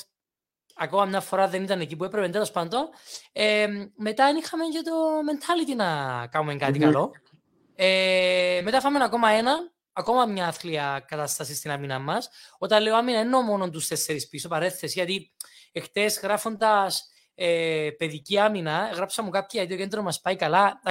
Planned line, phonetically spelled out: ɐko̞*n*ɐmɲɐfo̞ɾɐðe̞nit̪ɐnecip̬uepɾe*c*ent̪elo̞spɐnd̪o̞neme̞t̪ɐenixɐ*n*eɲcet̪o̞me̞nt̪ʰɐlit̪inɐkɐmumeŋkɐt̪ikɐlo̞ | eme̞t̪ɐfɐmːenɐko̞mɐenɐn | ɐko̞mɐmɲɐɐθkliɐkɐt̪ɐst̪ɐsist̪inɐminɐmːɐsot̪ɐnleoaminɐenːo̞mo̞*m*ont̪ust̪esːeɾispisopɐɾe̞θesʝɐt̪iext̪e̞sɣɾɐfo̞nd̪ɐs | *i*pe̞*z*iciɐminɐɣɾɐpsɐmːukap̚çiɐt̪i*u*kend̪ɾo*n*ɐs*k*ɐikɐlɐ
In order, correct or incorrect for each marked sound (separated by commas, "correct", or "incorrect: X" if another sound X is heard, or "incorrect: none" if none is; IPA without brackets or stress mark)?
incorrect: m, incorrect: p, incorrect: m, incorrect: n, incorrect: e, incorrect: ð, incorrect: o, incorrect: m, incorrect: p